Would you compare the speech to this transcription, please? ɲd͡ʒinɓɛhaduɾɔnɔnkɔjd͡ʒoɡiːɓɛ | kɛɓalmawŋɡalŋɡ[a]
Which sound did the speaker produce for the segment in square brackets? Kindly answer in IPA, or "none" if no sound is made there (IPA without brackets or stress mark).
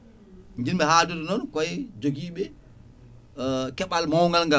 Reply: a